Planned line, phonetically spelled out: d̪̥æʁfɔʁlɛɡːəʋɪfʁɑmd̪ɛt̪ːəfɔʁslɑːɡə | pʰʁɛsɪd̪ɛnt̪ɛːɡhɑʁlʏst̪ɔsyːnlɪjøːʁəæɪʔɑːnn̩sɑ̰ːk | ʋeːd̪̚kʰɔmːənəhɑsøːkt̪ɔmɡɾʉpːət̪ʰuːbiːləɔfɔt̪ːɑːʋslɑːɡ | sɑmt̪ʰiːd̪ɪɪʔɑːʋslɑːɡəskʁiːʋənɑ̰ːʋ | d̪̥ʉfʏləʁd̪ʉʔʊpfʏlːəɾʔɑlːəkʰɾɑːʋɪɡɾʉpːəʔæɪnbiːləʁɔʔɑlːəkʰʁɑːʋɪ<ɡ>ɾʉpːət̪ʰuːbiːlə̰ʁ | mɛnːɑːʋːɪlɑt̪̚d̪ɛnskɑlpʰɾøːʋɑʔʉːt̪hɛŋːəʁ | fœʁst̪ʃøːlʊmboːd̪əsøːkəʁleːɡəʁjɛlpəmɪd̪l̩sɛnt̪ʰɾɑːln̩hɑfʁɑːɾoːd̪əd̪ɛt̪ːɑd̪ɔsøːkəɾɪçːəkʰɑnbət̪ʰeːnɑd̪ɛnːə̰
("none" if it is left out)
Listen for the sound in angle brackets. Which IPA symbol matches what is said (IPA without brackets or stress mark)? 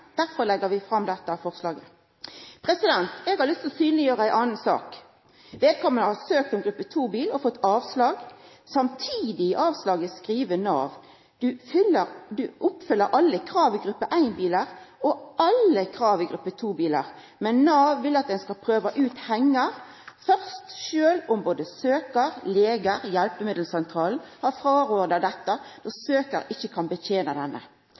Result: ɡ